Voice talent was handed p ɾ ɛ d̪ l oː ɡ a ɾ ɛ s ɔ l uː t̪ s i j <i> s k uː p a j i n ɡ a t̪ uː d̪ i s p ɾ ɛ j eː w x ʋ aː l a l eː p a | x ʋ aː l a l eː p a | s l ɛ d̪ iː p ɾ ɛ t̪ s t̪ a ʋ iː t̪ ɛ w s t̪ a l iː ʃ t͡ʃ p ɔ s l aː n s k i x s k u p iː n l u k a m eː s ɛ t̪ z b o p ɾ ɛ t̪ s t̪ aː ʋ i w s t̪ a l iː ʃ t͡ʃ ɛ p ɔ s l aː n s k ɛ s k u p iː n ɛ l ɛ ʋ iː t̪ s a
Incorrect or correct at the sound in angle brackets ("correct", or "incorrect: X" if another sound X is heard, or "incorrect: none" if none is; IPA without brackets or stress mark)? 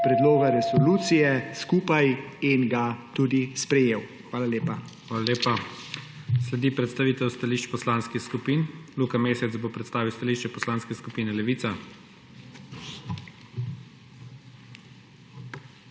incorrect: ɛ